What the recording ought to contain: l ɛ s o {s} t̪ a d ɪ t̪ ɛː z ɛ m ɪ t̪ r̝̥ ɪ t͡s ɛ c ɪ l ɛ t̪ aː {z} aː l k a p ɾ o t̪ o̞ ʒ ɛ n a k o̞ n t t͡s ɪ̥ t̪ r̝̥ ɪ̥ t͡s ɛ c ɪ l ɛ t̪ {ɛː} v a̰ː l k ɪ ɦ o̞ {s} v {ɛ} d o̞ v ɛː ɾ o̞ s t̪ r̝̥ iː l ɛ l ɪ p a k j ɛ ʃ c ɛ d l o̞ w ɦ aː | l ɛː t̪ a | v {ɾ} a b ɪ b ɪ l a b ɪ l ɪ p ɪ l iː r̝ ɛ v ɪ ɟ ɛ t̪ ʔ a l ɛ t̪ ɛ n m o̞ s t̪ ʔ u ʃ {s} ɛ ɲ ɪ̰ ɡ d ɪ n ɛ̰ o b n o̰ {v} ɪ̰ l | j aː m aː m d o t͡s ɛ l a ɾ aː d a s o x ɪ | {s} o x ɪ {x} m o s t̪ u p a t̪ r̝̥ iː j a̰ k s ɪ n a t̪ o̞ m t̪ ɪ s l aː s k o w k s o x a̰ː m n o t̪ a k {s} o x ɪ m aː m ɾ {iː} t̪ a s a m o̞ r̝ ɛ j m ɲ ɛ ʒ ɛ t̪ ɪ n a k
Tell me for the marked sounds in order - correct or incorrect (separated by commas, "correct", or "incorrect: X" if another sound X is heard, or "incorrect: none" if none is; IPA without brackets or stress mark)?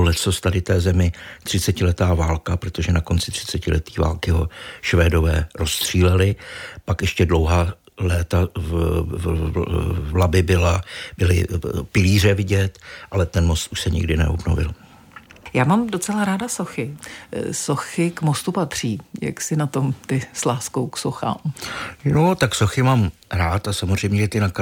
correct, incorrect: v, incorrect: iː, incorrect: ʃ, incorrect: ɛː, incorrect: l, correct, correct, correct, incorrect: k, correct, incorrect: aː